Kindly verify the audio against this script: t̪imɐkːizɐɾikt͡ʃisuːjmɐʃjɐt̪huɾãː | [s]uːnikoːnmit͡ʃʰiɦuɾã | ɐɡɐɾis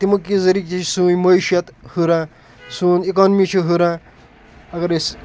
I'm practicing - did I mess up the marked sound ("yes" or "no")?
no